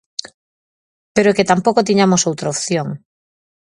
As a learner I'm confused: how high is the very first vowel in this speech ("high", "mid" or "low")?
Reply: mid